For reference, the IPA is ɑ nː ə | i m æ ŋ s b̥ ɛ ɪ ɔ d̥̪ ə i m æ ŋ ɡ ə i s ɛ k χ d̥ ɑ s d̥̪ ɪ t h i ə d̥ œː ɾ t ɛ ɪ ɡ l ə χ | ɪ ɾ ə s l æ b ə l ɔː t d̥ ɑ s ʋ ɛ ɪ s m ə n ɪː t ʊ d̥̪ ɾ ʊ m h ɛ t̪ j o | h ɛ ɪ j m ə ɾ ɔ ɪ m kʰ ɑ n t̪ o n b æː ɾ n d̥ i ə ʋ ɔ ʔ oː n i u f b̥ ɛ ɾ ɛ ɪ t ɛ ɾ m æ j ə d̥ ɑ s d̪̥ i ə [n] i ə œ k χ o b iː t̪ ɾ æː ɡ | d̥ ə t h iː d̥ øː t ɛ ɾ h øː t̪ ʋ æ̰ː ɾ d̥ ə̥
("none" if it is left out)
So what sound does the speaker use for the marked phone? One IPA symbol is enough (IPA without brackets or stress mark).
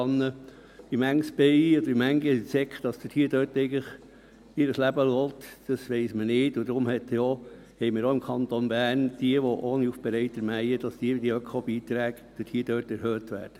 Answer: d